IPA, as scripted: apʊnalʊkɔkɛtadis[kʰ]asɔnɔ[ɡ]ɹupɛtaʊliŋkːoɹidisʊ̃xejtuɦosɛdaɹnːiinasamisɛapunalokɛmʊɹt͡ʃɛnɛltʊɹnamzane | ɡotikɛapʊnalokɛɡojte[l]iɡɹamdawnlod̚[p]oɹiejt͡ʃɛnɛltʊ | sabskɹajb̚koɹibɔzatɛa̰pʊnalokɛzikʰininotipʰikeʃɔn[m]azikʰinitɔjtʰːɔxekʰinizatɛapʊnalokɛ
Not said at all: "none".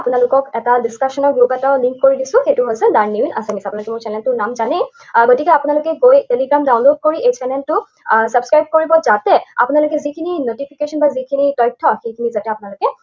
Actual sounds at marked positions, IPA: k, ɡ, l, k, b

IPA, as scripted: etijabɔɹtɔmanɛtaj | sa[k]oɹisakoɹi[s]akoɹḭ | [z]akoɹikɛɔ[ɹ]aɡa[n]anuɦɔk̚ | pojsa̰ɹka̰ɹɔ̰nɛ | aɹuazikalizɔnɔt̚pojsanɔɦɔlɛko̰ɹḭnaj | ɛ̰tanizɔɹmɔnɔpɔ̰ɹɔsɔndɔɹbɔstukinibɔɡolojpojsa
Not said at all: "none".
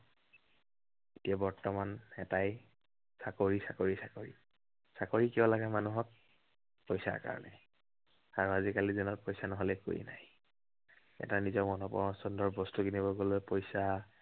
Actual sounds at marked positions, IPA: k, s, s, l, m

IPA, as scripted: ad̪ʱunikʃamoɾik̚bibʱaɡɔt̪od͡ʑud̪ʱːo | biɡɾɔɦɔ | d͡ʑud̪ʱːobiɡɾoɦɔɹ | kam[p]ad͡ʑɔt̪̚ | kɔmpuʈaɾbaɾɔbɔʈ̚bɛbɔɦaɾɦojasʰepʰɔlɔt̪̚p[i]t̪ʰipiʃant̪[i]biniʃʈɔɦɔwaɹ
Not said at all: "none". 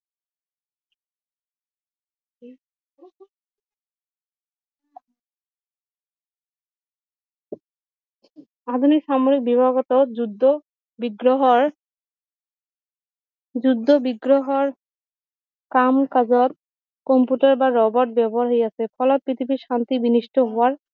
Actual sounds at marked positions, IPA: k, i, i

